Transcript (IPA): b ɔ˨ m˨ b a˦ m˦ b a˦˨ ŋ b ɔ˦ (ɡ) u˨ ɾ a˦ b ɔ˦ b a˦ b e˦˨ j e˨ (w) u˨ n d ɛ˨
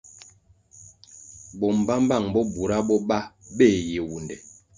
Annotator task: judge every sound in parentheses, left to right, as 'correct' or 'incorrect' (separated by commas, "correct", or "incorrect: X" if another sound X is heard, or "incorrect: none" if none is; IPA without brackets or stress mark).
incorrect: b, correct